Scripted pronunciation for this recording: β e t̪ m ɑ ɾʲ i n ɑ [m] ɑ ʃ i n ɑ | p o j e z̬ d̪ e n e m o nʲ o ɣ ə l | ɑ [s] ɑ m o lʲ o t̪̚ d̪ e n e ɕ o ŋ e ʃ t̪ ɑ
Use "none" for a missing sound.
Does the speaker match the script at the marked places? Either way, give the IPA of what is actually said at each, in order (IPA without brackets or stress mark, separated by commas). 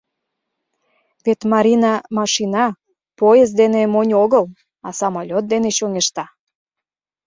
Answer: m, s